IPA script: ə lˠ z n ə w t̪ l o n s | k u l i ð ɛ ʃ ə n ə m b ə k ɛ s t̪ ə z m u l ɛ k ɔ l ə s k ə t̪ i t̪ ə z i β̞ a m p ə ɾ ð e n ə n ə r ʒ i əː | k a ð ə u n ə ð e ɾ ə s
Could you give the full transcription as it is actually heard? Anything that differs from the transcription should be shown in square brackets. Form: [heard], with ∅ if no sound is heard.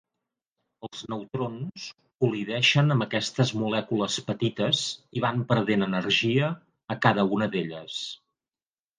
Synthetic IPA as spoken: ə lˠ z n ə w t̪ [ɾ] o n s | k u l i ð ɛ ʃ ə n ə m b ə k ɛ s t̪ ə z m u l ɛ k [u] l ə s [p] ə t̪ i t̪ ə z i β̞ a m p ə ɾ ð e n ə n ə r ʒ i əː | k a ð ə u n ə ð e [ʎ] ə s